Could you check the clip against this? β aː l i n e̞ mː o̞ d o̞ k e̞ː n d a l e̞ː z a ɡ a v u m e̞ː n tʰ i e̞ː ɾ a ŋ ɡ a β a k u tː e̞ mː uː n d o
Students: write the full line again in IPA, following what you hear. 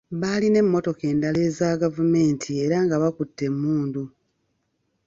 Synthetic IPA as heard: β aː l i n e̞ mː o̞ t o̞ k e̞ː n d a l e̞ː z a ɡ a v u m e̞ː n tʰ i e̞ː ɾ a ŋ ɡ a β a k u tː e̞ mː uː n d u